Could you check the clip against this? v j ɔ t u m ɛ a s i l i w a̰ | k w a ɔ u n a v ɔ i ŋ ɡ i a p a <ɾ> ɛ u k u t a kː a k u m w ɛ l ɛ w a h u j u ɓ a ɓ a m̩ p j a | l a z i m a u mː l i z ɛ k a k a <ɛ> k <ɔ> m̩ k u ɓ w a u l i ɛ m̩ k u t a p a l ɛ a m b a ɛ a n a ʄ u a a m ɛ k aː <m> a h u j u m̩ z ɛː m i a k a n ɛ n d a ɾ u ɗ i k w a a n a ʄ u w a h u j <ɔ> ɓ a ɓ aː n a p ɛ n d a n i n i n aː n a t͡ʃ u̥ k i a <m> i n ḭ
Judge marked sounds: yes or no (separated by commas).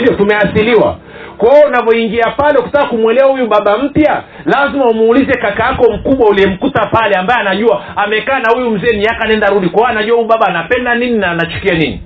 no, no, yes, no, no, no